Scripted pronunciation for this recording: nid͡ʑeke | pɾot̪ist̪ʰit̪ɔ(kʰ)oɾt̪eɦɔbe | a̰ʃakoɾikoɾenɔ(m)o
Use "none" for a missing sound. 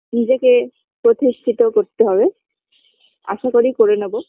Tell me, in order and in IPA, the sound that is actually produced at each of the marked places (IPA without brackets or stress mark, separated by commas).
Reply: k, b